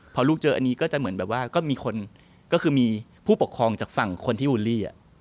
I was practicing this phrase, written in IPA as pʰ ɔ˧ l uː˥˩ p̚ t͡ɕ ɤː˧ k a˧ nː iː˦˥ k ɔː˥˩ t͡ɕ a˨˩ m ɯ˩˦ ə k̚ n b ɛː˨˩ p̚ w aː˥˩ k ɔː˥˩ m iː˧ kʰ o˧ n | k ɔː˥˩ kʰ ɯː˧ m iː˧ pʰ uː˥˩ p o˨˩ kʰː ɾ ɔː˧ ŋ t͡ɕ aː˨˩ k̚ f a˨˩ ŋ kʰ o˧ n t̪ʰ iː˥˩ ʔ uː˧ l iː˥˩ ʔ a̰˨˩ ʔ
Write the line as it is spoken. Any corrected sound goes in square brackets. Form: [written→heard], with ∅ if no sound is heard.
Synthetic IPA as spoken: pʰ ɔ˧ l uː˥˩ [p̚→k̚] t͡ɕ ɤː˧ [k→ʔ] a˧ nː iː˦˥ k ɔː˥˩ t͡ɕ a˨˩ m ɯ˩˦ ə [k̚→∅] n b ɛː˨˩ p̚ w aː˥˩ k ɔː˥˩ m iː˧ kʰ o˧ n | k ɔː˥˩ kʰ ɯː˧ m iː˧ pʰ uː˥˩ p o˨˩ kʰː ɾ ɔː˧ ŋ t͡ɕ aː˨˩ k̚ f a˨˩ ŋ kʰ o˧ n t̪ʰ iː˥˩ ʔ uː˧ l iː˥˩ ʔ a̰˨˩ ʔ